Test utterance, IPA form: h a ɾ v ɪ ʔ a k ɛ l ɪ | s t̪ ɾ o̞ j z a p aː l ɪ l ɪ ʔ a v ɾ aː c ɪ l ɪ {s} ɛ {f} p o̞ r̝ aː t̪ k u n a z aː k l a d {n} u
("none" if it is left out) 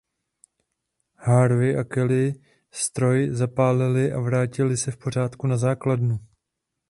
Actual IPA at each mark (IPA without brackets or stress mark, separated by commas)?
s, f, n